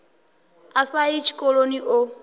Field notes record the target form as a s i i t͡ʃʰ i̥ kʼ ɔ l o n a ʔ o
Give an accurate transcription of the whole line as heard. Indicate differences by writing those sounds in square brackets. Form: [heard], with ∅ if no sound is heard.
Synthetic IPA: a s [a] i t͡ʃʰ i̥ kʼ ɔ l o n [i] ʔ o